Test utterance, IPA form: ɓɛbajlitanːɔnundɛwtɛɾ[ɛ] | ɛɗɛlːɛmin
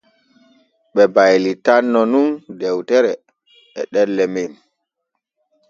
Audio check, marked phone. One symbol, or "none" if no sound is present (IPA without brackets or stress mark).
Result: ɛ